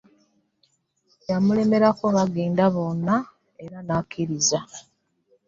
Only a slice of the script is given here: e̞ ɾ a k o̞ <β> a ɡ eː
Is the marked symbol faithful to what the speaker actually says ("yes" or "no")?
yes